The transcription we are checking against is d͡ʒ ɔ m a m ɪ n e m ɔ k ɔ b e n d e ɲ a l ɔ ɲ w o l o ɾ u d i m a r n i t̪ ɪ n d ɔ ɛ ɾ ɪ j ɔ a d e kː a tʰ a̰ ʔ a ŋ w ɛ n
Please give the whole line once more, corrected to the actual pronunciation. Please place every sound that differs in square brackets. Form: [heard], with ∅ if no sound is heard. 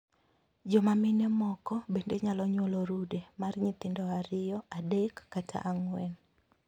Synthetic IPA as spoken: d͡ʒ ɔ m a m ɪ n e m ɔ k ɔ b e n d e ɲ a l ɔ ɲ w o l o ɾ u d [e] m a r [ɲ] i t̪ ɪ n d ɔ [a] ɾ ɪ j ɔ a d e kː a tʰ a̰ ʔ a ŋ w ɛ n